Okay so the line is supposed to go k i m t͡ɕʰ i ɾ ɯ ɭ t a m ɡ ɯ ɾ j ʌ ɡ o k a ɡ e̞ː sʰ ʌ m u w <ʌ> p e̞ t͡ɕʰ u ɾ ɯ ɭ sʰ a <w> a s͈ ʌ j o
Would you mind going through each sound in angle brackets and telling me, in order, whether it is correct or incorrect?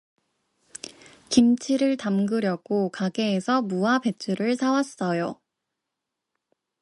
incorrect, correct

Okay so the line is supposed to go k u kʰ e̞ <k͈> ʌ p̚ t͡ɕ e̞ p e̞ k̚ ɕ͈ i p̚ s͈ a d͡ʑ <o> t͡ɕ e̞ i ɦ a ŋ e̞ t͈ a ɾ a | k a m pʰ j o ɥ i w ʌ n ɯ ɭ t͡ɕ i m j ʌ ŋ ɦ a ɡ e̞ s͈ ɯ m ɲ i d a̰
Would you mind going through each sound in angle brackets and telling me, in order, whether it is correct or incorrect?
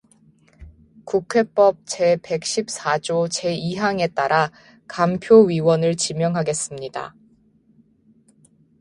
incorrect, correct

